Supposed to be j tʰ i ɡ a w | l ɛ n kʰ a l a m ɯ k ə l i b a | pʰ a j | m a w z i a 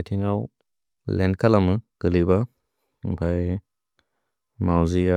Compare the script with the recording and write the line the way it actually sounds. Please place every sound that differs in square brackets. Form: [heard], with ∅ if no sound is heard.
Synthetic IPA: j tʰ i [ŋ] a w | l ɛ n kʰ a l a m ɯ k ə l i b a | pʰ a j | m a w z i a